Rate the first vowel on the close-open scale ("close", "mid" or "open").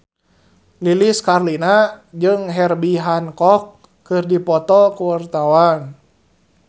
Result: close